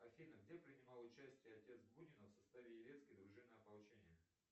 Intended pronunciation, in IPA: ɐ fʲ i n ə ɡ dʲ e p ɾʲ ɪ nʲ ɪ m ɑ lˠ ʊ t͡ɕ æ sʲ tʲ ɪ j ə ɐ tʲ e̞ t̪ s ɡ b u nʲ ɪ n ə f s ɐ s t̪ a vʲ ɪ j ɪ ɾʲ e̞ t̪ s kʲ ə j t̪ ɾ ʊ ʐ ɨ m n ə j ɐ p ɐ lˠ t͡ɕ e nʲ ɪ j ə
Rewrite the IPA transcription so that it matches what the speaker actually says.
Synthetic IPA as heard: ɐ fʲ i n ə ɡ dʲ e p ɾʲ ɪ nʲ ɪ m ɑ lˠ ʊ t͡ɕ æ sʲ tʲ ɪ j ə ɐ tʲ e̞ t̪ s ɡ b u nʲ ɪ n ə f s ɐ s t̪ a vʲ ɪ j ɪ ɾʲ e̞ t̪ s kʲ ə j d̪ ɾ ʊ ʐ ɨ m n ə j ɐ p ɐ lˠ t͡ɕ e nʲ ɪ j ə